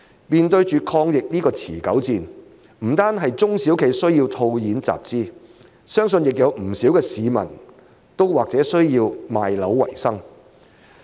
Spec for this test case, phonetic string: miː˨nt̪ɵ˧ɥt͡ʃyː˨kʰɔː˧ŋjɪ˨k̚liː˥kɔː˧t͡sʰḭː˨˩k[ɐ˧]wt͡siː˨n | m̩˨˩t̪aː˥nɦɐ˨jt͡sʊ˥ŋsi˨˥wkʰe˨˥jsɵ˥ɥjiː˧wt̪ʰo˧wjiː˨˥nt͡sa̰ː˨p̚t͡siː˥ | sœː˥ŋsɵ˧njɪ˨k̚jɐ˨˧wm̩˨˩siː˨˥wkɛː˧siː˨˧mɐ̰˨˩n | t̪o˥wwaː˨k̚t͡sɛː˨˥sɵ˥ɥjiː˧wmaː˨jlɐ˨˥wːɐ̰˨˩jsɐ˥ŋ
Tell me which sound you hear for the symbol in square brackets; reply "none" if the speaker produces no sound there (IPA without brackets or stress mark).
ɐ˨˥